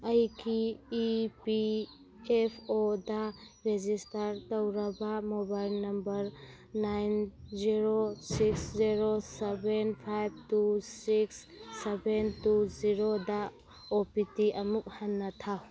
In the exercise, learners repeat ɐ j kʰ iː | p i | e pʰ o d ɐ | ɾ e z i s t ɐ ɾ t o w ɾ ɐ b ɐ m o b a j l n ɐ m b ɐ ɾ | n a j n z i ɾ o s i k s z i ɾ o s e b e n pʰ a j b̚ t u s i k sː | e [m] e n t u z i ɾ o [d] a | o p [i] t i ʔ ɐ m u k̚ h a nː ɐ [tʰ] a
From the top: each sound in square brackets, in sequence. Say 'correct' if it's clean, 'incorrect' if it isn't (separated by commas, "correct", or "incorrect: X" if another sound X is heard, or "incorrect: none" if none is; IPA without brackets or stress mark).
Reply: incorrect: b, correct, correct, correct